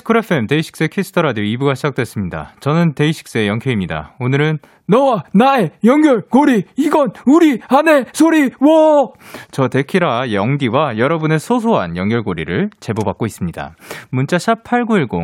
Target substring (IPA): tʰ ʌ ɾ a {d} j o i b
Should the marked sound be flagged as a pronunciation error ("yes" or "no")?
no